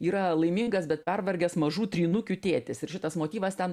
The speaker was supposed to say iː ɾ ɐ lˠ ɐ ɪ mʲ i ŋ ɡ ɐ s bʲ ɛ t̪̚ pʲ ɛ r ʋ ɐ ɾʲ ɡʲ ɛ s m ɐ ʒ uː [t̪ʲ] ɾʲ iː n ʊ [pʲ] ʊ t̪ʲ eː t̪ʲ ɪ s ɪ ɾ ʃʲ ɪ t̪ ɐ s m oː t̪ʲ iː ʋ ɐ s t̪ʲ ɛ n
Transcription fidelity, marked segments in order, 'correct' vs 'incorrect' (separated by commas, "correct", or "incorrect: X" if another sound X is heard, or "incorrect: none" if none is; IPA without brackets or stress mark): correct, incorrect: kʲ